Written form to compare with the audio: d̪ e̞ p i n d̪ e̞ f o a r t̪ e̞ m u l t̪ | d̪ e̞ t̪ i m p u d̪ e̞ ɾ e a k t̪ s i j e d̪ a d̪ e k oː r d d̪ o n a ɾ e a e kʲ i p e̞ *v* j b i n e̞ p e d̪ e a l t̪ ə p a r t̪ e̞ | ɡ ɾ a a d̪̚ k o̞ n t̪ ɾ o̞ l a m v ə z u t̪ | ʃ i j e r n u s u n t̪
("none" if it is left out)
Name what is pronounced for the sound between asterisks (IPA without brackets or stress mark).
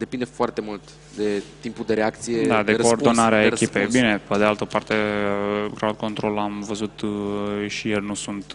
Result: none